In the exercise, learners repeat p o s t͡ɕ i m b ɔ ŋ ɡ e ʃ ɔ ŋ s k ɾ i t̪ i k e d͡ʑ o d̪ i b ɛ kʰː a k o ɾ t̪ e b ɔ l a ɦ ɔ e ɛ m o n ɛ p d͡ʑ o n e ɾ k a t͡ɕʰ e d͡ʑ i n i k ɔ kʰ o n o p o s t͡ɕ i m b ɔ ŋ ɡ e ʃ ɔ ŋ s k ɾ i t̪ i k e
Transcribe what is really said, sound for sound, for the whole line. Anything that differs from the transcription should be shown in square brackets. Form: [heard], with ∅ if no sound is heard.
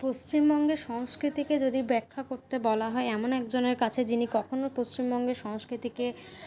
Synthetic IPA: p o s t͡ɕ i m b ɔ ŋ ɡ e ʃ ɔ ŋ s k ɾ i t̪ i k e d͡ʑ o d̪ i b ɛ kʰː a k o ɾ t̪ e b ɔ l a ɦ ɔ e ɛ m o n ɛ [k] d͡ʑ o n e ɾ k a t͡ɕʰ e d͡ʑ i n i k ɔ kʰ o n o p o s t͡ɕ i m b ɔ ŋ ɡ e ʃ ɔ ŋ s k ɾ i t̪ i k e